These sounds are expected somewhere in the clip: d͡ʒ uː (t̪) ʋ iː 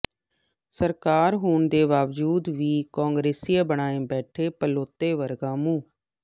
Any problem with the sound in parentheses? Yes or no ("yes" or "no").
yes